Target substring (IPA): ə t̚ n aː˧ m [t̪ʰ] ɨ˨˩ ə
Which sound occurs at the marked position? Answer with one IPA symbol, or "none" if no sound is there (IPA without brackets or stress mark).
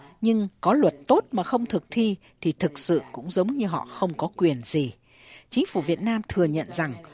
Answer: t̪ʰ